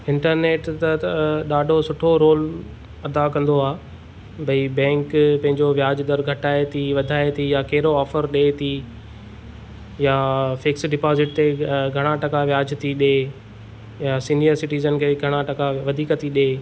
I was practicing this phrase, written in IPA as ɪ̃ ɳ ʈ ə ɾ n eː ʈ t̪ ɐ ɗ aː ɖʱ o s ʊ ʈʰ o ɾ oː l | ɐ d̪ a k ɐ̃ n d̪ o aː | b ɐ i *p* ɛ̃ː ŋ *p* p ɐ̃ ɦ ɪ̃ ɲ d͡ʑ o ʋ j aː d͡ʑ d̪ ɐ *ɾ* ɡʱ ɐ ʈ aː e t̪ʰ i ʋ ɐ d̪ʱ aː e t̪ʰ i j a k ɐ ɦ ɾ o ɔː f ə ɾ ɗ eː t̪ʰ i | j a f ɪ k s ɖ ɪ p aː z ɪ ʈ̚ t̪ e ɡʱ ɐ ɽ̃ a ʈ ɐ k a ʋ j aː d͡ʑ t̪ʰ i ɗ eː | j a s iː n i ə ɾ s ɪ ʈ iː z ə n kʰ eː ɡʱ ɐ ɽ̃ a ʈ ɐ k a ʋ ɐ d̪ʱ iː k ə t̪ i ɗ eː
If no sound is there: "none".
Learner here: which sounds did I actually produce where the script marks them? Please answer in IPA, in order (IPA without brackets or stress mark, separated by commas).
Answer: b, k, ɾ